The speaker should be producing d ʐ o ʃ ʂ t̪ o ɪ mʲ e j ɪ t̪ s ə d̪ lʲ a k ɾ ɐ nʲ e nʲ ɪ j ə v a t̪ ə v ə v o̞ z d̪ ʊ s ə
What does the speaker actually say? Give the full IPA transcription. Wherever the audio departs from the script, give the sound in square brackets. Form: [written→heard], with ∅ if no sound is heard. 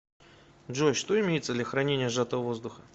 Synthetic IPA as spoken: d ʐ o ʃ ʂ t̪ o ɪ mʲ e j ɪ t̪ s ə d̪ lʲ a [k→x] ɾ ɐ nʲ e nʲ ɪ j ə [v→ʐ] a t̪ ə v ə v o̞ z d̪ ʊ [s→x] ə